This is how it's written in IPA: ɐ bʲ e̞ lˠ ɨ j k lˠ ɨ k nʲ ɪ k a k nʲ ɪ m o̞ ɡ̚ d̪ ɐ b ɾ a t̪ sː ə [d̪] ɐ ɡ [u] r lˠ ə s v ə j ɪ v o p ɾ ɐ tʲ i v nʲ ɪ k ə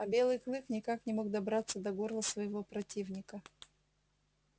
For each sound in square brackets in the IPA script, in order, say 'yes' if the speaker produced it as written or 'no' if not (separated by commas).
yes, no